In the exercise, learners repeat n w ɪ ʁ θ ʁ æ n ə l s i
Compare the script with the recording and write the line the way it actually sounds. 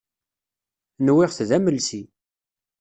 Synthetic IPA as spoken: n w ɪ ʁ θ ð æ m ə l s i